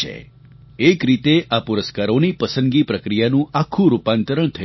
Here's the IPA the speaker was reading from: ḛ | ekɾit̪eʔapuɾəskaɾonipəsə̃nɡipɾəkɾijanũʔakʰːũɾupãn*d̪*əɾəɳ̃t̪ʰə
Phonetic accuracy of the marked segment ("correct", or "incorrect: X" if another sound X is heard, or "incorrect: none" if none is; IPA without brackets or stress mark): incorrect: t̪